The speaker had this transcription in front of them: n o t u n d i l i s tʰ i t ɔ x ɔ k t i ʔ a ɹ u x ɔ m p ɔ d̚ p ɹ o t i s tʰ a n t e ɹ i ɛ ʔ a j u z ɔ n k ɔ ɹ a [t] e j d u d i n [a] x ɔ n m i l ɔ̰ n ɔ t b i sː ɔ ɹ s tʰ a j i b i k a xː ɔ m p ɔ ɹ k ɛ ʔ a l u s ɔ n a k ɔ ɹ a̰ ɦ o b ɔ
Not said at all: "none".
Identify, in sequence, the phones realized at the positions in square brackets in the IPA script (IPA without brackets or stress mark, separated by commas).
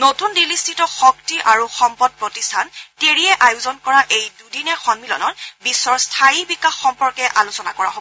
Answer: ʔ, ɛ